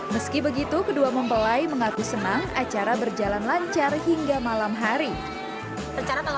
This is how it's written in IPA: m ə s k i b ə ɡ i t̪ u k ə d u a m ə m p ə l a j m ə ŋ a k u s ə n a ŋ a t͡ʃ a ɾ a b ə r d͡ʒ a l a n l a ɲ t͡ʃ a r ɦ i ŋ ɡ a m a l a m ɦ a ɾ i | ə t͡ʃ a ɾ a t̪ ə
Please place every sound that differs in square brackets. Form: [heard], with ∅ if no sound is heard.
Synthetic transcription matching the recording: m ə s k i b ə ɡ i t̪ u k ə d u a m ə m p ə l a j m ə ŋ a k u s ə n a ŋ a t͡ʃ a ɾ a b ə r d͡ʒ a l a n l a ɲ t͡ʃ a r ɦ i ŋ ɡ a m a l a m ɦ a ɾ i | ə t͡ʃ a ɾ a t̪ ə